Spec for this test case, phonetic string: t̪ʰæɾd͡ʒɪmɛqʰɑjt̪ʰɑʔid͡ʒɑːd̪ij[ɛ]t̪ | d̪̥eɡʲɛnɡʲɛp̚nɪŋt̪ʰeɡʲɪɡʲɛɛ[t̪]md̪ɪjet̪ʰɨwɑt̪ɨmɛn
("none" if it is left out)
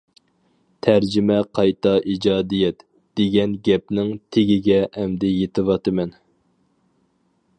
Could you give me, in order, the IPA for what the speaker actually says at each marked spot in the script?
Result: ɛ, none

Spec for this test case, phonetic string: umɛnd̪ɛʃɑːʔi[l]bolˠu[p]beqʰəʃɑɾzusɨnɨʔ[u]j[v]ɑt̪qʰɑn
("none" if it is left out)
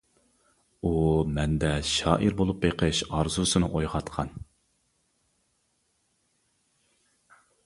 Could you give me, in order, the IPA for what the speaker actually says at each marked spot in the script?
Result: ɾ, p, o, ʁ

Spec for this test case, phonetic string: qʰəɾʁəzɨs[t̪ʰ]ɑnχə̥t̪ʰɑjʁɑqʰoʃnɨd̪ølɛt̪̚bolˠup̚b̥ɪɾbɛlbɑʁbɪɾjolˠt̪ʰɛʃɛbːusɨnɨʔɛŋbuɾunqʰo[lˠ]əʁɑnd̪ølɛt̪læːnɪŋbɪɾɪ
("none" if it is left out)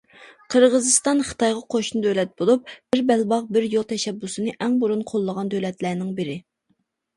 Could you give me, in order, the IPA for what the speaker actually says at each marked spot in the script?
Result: t̪, lˠː

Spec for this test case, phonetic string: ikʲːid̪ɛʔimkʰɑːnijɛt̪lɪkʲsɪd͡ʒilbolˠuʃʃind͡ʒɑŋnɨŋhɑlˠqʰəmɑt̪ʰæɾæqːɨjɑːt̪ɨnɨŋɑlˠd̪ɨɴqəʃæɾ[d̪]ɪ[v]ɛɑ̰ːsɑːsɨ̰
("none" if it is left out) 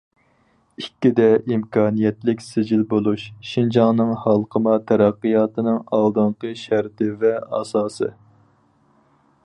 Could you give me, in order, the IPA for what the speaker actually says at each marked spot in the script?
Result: t̪, v

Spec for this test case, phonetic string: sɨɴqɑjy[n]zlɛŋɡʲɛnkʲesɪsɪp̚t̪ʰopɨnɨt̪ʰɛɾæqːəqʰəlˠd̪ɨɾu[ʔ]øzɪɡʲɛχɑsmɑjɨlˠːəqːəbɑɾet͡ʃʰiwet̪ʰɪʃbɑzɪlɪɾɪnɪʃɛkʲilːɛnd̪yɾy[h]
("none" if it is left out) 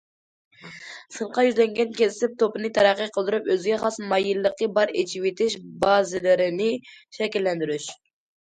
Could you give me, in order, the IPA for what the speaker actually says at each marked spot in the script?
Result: none, p, ʃ

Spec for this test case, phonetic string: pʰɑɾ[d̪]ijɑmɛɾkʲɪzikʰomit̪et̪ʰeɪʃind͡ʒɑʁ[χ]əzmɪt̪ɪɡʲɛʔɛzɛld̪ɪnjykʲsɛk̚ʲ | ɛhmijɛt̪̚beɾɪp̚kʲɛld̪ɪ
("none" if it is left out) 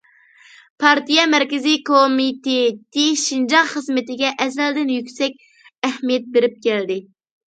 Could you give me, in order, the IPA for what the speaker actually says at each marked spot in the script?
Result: t̪, χ

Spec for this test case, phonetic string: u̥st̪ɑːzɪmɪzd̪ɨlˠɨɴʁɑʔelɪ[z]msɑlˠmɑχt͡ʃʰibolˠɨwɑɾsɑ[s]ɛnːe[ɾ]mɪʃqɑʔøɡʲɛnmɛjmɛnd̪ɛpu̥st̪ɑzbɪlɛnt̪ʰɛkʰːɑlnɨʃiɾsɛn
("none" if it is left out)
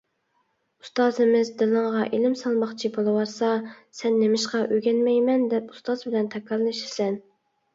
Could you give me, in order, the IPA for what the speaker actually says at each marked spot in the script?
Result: none, s, none

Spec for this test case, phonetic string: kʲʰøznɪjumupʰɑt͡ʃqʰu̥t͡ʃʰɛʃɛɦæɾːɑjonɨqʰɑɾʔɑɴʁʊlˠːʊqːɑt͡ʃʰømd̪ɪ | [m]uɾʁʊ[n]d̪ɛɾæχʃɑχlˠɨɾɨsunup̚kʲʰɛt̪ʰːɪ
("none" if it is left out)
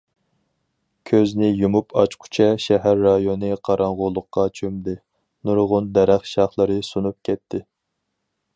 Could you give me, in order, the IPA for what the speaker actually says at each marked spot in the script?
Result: n, n

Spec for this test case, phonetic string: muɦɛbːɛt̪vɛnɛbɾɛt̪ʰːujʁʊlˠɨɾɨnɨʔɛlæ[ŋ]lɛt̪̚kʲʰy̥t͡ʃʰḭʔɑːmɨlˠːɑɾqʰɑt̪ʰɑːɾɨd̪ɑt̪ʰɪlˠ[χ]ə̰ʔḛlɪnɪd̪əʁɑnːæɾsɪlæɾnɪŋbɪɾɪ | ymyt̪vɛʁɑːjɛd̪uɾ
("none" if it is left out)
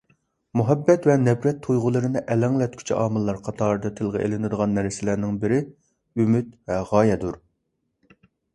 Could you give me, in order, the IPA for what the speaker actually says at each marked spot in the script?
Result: ŋ, ʁ

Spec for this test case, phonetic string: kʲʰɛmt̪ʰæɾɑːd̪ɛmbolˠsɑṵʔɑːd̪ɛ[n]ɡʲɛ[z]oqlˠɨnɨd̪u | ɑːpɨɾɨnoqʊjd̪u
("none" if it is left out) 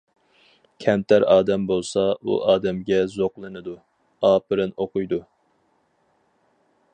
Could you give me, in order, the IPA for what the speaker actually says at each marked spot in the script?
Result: m, z

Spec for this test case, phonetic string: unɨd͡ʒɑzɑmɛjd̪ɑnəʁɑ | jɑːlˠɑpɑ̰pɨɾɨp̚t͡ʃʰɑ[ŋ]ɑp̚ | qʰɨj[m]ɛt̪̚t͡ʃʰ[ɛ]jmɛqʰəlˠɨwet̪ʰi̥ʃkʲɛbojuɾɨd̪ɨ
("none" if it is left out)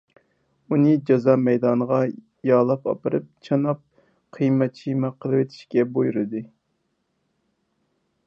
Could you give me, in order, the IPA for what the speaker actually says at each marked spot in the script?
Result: n, m, i

